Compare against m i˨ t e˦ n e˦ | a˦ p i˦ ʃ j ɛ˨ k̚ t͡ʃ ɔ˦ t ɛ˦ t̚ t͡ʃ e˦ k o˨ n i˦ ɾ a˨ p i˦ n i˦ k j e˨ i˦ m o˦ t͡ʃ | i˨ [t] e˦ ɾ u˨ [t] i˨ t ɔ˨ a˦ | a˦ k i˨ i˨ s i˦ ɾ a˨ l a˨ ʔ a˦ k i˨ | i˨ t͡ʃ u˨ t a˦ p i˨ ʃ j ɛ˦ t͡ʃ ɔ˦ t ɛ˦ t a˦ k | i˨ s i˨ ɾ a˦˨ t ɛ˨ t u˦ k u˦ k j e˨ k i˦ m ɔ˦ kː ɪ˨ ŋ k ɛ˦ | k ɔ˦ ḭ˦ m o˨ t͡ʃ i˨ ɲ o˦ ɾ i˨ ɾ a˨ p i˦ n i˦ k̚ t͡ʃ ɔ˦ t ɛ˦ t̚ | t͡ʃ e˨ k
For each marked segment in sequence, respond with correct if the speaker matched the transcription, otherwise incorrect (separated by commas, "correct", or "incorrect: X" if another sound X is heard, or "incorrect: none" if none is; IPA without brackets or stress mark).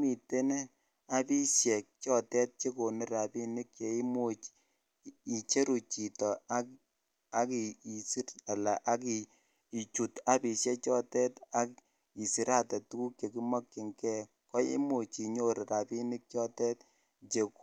incorrect: t͡ʃ, incorrect: t͡ʃ